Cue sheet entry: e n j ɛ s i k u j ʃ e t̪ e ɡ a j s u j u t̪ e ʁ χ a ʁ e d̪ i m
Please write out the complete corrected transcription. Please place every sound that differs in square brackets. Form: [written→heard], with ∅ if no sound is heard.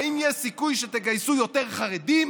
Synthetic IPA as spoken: [e→i] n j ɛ s i k u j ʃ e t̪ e ɡ a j s u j [u→o] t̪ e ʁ χ a ʁ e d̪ i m